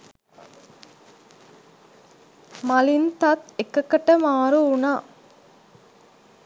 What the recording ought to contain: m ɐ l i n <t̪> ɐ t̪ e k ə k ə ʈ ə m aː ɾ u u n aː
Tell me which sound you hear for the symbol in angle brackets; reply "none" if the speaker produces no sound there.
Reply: t̪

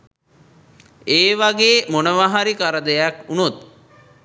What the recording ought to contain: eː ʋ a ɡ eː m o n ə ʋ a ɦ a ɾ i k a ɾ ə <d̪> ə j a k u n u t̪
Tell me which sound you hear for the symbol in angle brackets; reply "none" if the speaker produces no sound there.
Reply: d̪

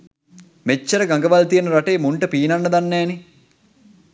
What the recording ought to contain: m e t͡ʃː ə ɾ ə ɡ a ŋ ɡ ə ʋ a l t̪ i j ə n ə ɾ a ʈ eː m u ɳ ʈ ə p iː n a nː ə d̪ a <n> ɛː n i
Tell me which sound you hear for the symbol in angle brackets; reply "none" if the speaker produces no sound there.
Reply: nː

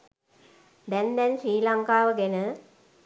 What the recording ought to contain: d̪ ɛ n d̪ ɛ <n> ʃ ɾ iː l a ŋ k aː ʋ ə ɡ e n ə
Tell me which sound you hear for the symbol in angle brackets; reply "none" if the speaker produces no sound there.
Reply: n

